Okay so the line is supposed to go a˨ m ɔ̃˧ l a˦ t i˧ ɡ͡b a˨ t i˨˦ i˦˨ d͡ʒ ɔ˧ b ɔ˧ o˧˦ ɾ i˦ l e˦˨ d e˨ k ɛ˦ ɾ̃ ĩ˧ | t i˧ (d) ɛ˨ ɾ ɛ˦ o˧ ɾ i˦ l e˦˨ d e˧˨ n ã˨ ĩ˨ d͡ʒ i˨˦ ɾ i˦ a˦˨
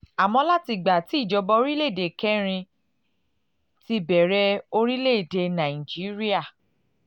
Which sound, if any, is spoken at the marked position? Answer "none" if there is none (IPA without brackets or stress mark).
b